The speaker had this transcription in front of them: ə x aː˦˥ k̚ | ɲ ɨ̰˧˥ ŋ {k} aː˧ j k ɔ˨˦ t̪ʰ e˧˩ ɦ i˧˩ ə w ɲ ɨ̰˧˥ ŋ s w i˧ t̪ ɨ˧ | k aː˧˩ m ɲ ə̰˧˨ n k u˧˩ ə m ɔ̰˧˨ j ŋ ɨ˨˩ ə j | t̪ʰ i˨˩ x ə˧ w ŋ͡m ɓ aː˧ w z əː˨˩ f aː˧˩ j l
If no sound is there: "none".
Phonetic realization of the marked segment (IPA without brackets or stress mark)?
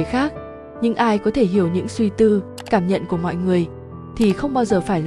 ʔ